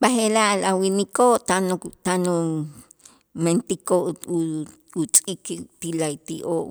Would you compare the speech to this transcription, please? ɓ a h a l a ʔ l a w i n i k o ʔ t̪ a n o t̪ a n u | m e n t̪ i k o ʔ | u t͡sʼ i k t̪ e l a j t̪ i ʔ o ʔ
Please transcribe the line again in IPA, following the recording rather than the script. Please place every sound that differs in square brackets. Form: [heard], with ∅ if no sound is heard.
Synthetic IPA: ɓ a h [e] l a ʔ l a w i n i k o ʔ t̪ a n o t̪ a n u | m e n t̪ i k o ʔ | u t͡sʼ i k t̪ [i] l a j t̪ i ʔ o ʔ